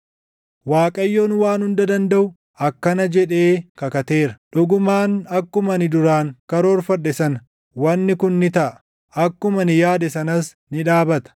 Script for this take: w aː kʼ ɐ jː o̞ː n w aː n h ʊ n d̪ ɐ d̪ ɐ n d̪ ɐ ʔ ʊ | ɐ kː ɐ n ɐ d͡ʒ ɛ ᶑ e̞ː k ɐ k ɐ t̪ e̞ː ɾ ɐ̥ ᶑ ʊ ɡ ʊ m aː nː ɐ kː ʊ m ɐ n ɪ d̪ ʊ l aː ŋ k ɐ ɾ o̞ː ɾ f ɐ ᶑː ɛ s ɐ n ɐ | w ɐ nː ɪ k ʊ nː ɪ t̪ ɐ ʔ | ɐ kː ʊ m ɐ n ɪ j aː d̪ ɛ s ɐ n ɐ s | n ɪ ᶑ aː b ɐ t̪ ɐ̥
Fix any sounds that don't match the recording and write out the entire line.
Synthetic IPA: w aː kʼ ɐ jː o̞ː n w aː n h ʊ n d̪ ɐ d̪ ɐ n d̪ ɐ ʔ ʊ | ɐ kː ɐ n ɐ d͡ʒ ɛ ᶑ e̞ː k ɐ k ɐ t̪ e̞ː ɾ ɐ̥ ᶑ ʊ ɡ ʊ m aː n ɐ kː ʊ m ɐ n ɪ d̪ ʊ ɾ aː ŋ k ɐ ɾ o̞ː ɾ f ɐ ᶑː ɛ s ɐ n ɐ | w ɐ nː ɪ k ʊ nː ɪ t̪ ɐ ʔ | ɐ kː ʊ m ɐ n ɪ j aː d̪ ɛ s ɐ n ɐ s | n ɪ ᶑ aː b ɐ t̪ ɐ̥